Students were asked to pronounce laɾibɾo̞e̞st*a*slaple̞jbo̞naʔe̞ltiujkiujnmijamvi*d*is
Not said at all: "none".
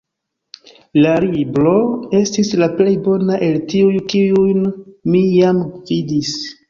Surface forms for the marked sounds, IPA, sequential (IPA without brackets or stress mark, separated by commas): i, d